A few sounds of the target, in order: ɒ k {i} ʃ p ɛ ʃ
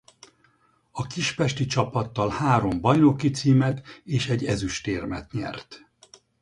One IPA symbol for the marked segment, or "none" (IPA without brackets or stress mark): i